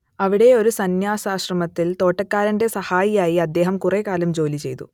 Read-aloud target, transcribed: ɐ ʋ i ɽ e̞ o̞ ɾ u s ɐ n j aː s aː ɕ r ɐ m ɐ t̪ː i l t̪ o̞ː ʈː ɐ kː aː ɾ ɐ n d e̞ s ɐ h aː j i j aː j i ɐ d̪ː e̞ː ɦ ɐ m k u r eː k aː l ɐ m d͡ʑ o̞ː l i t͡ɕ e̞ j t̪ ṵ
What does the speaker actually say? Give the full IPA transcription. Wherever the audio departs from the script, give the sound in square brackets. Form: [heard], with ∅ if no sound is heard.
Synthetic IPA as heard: ɐ ʋ i ɽ e̞ o̞ ɾ u s ɐ n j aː s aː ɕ r ɐ m ɐ t̪ː i l t̪ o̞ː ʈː ɐ kː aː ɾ ɐ n d e̞ s ɐ h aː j i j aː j i ɐ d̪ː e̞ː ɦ ɐ m k u r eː k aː l ɐ m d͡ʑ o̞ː l i t͡ɕ e̞ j t̪ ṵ

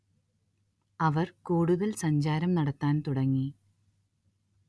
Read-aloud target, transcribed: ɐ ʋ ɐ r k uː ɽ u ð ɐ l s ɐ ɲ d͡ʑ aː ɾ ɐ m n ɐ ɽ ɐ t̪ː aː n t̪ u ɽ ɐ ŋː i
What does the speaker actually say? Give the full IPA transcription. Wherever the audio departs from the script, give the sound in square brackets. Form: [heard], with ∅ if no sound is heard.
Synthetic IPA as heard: ɐ ʋ ɐ r k uː ɽ u ð ɐ l s ɐ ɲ d͡ʑ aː ɾ ɐ m n ɐ ɽ ɐ t̪ː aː n t̪ u ɽ ɐ ŋː i

